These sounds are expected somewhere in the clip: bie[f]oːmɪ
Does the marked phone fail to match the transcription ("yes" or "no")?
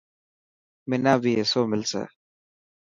yes